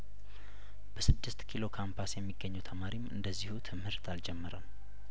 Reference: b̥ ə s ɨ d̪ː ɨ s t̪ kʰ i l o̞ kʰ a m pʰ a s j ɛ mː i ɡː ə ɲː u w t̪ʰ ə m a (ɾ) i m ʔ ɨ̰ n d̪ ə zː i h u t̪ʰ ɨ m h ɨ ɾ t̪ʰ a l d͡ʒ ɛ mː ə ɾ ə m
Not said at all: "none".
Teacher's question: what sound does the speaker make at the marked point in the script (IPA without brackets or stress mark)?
ɾ